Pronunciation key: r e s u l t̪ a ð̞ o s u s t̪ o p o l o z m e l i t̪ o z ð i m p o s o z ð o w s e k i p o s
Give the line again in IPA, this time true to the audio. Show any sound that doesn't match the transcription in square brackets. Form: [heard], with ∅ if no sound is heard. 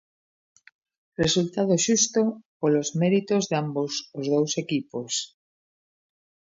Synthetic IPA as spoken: r e s u l t̪ a ð̞ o [ʃ] u s t̪ o p o l o z m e [ɾ] i t̪ o z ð [a] m [b] o s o z ð o w s e k i p o s